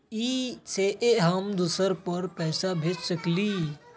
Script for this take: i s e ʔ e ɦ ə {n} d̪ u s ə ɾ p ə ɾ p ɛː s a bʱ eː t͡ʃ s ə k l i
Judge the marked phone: incorrect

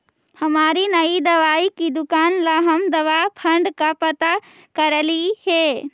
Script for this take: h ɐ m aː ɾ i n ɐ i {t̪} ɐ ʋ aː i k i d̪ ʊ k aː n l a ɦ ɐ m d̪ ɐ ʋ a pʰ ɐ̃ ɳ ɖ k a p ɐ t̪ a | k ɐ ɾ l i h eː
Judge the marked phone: incorrect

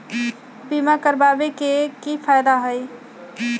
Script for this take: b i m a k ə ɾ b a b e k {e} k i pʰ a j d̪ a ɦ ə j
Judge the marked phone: correct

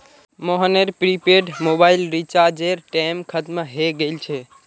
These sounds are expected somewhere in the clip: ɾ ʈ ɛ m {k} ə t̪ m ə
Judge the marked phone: incorrect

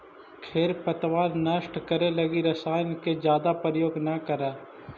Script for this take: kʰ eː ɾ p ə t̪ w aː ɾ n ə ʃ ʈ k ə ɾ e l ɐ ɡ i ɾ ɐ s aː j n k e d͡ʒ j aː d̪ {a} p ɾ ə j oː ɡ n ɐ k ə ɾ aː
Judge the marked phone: correct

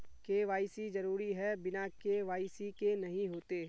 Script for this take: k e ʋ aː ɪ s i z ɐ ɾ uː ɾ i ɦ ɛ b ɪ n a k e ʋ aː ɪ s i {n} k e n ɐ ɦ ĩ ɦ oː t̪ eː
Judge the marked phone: incorrect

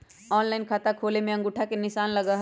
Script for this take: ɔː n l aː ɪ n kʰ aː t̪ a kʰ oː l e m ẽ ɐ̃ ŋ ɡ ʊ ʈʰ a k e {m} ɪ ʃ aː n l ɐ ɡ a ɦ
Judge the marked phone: incorrect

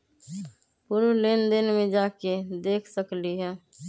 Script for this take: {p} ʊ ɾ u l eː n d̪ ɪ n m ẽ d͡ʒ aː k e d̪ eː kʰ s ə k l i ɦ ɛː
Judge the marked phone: correct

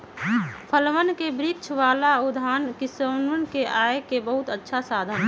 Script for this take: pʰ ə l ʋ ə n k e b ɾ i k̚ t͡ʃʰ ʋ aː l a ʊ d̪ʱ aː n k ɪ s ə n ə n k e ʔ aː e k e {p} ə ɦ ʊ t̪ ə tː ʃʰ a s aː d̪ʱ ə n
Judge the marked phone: incorrect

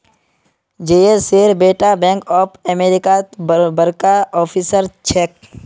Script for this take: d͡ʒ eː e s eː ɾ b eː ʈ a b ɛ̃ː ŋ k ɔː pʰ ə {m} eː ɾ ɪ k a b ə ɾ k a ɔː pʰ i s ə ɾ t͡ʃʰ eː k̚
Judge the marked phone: correct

